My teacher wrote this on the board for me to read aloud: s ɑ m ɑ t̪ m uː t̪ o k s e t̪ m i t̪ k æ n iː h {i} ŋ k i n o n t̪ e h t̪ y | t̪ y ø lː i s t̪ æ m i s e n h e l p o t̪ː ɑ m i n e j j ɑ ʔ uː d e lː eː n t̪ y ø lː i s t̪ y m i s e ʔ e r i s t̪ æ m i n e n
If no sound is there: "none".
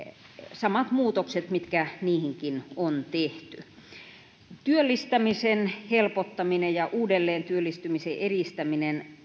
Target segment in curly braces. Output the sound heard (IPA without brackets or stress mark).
i